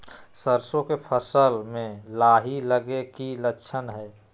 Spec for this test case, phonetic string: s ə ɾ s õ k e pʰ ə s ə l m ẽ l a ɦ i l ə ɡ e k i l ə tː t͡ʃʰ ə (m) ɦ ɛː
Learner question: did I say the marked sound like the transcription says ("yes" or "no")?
no